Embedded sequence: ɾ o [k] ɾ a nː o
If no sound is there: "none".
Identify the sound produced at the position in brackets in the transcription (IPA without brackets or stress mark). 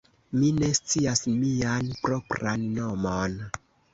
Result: p